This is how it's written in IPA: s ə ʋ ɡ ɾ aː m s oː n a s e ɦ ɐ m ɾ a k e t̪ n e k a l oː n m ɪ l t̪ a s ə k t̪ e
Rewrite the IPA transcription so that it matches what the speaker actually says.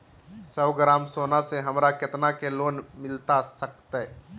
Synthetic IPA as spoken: s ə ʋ ɡ ɾ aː m s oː n a s e ɦ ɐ m ɾ a k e t̪ n a k e l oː n m ɪ l t̪ a s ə k t̪ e